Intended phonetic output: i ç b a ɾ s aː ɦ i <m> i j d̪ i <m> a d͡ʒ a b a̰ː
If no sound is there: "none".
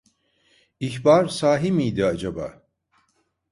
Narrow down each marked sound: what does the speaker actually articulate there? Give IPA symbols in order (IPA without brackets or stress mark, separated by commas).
m, none